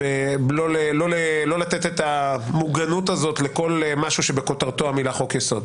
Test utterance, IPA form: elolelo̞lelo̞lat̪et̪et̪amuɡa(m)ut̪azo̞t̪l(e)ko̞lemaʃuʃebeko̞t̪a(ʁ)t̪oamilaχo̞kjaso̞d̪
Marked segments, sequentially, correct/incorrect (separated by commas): incorrect, correct, correct